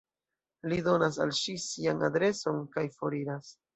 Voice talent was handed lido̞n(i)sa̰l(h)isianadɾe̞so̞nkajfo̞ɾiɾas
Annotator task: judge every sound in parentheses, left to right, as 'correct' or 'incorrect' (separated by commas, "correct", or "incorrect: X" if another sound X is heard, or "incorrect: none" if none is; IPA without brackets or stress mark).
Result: incorrect: a, incorrect: ʃ